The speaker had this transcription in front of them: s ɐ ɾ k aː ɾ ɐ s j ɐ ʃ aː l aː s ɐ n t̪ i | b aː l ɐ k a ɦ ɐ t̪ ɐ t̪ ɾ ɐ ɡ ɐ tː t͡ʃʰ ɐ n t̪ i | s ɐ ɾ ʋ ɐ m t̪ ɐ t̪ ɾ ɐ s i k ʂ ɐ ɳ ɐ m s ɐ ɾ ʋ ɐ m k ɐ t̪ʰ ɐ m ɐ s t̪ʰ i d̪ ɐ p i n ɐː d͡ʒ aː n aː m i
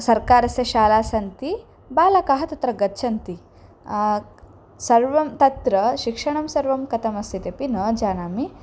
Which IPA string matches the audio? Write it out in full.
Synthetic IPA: s ɐ ɾ k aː ɾ ɐ s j ɐ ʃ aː l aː s ɐ n t̪ i | b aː l ɐ k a ɦ ɐ t̪ ɐ t̪ ɾ ɐ ɡ ɐ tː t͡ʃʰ ɐ n t̪ i | s ɐ ɾ ʋ ɐ m t̪ ɐ t̪ ɾ ɐ ʃ i k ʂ ɐ ɳ ɐ m s ɐ ɾ ʋ ɐ m k ɐ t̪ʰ ɐ m ɐ s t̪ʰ i t̪ ɐ p i n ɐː d͡ʒ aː n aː m i